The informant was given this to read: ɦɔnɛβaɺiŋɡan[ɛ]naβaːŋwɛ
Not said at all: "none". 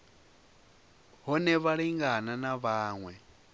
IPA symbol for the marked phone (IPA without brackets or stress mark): a